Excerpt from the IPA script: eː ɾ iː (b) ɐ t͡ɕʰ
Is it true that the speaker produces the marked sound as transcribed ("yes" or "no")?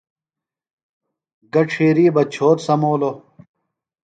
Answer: yes